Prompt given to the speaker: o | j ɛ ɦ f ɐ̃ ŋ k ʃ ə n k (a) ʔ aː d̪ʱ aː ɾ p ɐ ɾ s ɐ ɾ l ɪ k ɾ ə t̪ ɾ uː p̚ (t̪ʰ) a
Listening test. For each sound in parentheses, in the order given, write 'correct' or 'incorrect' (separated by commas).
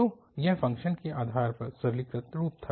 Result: incorrect, correct